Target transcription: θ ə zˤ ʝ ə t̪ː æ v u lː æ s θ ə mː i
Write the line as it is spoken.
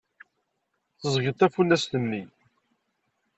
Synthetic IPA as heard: θ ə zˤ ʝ ə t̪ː æ f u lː æ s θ ə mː i